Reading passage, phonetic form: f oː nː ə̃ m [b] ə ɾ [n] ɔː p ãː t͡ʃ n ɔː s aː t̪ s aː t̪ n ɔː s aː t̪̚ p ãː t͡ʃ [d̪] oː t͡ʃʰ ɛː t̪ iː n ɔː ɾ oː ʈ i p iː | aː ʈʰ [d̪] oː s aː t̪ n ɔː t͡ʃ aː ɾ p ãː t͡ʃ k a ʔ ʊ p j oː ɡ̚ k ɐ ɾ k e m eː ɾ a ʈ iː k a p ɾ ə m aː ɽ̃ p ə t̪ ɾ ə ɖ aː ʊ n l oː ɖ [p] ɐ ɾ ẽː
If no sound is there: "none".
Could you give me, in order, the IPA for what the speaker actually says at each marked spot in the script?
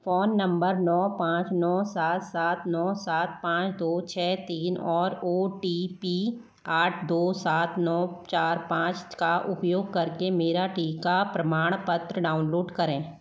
b, n, d̪, d̪, k

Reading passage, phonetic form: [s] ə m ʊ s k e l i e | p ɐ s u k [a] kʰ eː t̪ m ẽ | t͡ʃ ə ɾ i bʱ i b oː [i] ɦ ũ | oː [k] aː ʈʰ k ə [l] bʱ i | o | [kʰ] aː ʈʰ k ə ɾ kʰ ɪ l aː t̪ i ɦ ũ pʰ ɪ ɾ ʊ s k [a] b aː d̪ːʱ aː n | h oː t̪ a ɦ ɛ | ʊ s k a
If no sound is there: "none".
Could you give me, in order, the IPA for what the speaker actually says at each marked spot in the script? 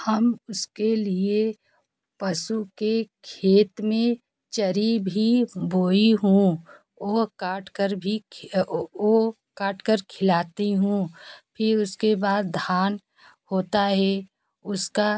h, e, i, k, ɾ, k, e

